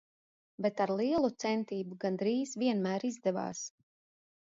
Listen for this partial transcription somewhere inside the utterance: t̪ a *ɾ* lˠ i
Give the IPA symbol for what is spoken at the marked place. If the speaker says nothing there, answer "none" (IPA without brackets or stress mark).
ɾ